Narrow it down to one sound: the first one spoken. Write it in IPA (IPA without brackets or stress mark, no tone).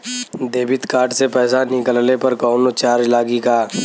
d̪